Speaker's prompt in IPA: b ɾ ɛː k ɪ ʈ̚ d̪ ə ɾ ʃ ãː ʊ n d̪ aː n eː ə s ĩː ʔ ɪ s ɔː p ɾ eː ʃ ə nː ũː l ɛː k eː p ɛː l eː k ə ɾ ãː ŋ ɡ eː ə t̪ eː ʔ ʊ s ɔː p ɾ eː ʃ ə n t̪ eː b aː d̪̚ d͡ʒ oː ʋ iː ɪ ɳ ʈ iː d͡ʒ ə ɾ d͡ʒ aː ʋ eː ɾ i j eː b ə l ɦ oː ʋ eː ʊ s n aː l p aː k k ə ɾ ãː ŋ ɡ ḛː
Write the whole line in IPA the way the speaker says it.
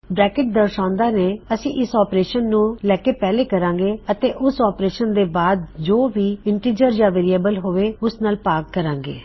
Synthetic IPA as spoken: b ɾ ɛː k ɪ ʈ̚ d̪ ə ɾ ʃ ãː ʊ n d̪ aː n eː ə s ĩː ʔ ɪ s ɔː p ɾ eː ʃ ə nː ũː l ɛː k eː p ɛː l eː k ə ɾ ãː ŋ ɡ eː ə t̪ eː ʔ ʊ s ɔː p ɾ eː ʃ ə n d̪ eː b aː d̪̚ d͡ʒ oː ʋ iː ɪ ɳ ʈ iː d͡ʒ ə ɾ d͡ʒ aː ʋ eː ɾ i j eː b ə l ɦ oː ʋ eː ʊ s n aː l p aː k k ə ɾ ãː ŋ ɡ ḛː